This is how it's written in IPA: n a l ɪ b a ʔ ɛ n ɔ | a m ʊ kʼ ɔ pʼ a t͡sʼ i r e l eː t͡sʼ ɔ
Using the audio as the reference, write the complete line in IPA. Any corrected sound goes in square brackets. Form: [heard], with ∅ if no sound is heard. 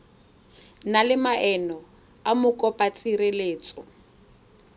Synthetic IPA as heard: n a l ɪ [m] a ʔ ɛ n ɔ | a m ʊ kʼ ɔ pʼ a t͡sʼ i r e l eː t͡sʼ ɔ